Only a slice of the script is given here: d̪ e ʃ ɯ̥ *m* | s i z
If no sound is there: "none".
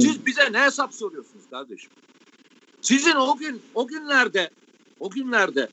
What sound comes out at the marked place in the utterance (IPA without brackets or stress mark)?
m